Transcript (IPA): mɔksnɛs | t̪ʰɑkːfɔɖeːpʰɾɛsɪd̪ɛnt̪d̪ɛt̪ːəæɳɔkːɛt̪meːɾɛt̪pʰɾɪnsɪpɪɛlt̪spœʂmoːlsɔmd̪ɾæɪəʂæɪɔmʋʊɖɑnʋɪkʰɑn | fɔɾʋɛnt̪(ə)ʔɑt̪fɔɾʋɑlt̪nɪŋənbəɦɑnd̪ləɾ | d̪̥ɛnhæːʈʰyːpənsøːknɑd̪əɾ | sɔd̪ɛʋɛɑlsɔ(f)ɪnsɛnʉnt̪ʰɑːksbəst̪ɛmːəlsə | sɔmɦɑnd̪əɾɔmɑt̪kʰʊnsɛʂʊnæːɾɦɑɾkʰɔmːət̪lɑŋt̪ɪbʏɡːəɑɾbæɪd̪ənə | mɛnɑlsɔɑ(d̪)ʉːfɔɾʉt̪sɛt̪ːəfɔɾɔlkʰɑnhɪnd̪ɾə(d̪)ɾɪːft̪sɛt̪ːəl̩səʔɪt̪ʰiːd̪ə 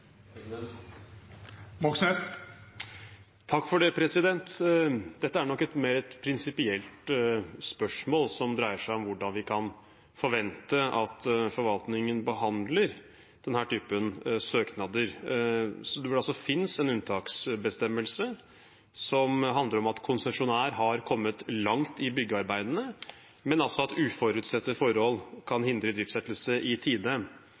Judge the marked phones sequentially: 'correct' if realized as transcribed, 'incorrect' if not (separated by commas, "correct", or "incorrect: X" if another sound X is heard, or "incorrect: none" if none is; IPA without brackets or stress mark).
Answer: correct, correct, incorrect: t̪, correct